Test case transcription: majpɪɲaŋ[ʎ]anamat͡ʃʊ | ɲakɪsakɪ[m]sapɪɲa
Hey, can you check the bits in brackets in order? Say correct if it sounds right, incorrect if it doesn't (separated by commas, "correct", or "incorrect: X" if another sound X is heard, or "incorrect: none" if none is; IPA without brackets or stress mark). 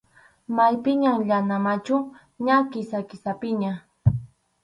correct, incorrect: none